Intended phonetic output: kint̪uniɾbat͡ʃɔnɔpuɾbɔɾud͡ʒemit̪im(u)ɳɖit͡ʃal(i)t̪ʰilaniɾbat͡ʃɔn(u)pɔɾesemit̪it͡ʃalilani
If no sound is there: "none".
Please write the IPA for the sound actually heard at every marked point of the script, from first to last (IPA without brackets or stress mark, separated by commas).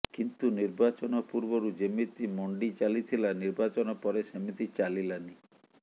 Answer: ɔ, i, ɔ